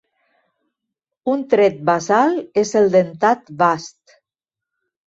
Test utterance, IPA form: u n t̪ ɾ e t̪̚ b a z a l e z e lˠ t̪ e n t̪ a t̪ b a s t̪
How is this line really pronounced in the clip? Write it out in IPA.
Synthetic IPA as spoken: u n t̪ ɾ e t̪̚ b a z a l e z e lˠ d̪ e n t̪ a t̪ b a s t̪